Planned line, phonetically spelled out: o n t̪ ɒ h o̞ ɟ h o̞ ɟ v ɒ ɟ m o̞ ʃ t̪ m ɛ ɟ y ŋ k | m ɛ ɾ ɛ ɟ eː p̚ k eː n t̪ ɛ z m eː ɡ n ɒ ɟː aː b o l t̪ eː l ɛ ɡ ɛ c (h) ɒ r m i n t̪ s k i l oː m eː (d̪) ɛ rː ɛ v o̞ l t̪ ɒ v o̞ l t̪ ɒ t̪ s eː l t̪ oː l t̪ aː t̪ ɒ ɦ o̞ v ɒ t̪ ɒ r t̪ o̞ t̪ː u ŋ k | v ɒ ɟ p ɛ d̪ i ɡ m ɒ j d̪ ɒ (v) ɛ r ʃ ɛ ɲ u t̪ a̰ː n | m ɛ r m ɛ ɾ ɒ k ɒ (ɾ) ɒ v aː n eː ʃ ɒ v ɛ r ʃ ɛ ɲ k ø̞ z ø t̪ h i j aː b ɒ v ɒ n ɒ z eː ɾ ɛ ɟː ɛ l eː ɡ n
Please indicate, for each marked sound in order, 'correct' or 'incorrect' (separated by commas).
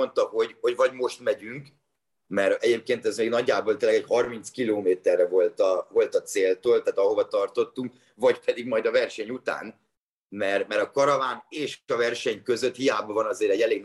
correct, incorrect, correct, correct